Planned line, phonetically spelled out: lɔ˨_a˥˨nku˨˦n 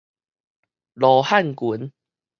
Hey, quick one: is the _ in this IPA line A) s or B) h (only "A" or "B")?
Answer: B